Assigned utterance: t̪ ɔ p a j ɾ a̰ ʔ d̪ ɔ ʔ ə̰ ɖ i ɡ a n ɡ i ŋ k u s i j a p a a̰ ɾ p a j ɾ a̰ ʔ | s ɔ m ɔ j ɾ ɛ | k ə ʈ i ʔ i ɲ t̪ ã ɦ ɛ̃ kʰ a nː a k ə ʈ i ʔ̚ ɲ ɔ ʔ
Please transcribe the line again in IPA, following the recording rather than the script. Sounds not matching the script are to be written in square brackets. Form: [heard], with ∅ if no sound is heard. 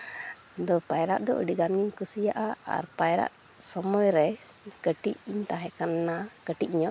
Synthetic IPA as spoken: [d̪] ɔ p a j ɾ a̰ ʔ d̪ ɔ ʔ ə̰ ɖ i ɡ a n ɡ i [ɲ] k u s i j a [ʔ] a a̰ ɾ p a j ɾ a̰ ʔ | s ɔ m ɔ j ɾ ɛ | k ə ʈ i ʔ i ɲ t̪ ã ɦ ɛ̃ [k] a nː a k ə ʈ i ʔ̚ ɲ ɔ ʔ